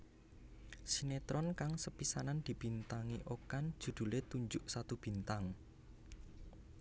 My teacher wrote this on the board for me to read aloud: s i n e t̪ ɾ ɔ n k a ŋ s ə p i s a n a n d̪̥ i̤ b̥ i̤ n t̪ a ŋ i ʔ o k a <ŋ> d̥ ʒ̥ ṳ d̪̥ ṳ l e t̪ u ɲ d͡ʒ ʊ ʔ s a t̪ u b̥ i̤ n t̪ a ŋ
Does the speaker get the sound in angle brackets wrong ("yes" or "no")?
yes